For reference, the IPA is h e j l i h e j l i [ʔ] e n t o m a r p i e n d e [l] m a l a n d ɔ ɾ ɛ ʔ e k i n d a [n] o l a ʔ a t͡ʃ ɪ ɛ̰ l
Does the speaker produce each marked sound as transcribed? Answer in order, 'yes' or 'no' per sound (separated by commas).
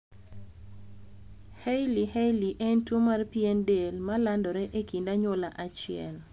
yes, yes, no